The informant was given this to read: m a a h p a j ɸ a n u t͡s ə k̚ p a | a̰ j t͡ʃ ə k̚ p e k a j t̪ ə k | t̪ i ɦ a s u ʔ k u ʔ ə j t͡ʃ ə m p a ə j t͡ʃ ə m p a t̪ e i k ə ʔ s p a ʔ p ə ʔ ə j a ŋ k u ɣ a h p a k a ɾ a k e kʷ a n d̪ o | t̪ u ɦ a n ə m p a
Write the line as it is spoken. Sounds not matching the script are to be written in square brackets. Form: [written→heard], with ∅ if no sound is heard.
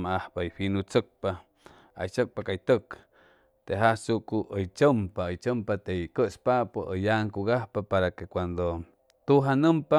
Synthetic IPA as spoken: m a a h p a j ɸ [a→i] n u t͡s ə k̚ p a | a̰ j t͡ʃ ə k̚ p [e→a] k a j t̪ ə k | t̪ [i→e] ɦ a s u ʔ k u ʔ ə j t͡ʃ ə m p a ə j t͡ʃ ə m p a t̪ e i k ə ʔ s p a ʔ p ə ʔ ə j a ŋ k u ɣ a h p a [k→p] a ɾ a k e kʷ a n d̪ o | t̪ u ɦ a n ə m p a